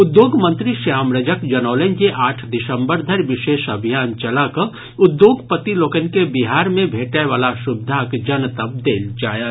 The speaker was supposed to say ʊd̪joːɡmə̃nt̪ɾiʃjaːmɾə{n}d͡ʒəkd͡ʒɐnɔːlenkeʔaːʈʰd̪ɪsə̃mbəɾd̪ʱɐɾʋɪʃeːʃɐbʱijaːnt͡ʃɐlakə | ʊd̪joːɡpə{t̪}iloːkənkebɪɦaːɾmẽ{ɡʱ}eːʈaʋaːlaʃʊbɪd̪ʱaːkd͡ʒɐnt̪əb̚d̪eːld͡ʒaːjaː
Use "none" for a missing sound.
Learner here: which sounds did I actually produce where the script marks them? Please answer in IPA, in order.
none, t̪, bʱ

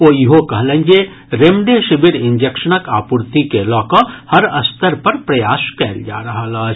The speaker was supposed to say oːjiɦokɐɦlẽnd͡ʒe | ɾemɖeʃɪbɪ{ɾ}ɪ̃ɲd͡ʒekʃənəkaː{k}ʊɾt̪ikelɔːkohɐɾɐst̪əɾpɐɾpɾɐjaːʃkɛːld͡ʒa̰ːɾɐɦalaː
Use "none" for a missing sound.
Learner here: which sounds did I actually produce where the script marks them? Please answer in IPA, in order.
ɾ, p

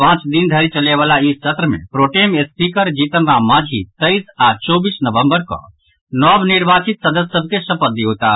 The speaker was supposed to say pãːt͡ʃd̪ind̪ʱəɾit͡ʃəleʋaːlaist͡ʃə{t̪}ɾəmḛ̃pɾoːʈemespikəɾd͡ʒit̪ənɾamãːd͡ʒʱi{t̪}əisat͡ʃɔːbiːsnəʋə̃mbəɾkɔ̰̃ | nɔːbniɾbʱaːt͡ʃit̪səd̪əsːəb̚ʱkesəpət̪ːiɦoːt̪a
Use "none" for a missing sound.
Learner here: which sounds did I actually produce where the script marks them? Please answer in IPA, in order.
t̪, t̪

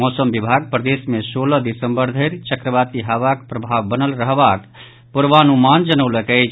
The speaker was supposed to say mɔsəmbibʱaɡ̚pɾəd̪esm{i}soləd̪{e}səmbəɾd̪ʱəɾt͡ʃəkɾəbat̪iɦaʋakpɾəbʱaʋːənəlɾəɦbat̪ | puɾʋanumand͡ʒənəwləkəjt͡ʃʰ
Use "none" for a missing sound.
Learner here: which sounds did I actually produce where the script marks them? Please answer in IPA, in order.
e, i

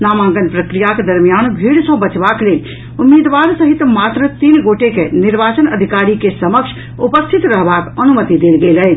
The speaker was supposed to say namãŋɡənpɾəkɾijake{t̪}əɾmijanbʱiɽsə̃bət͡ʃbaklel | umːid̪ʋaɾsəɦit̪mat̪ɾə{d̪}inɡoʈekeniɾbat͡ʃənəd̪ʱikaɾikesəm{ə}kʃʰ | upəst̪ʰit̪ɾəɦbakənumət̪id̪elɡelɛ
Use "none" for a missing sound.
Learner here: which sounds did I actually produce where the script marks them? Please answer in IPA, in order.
d̪, t̪, ə

